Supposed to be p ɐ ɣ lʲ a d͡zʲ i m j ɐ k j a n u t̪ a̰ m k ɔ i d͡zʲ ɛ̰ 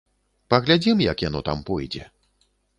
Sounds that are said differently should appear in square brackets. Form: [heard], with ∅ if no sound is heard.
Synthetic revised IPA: p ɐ ɣ lʲ a d͡zʲ i m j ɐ k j a n [ɔ] t̪ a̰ m [p] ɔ [j] d͡zʲ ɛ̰